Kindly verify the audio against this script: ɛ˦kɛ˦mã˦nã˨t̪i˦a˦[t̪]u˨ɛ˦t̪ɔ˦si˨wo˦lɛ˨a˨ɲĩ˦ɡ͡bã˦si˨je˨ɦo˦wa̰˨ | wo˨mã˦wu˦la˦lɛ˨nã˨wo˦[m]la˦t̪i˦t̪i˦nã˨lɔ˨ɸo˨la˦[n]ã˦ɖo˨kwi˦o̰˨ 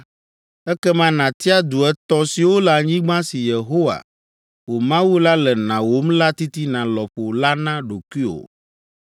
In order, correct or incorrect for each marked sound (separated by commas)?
incorrect, correct, correct